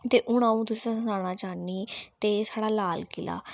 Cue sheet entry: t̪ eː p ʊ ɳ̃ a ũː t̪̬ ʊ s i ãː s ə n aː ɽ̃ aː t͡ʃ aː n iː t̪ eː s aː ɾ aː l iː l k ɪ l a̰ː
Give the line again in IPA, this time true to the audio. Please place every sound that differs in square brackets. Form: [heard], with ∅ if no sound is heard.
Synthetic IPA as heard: t̪ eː [ʔ] ʊ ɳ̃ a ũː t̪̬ ʊ s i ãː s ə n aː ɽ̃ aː t͡ʃ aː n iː t̪ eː s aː [ɽ] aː l [aː] l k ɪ l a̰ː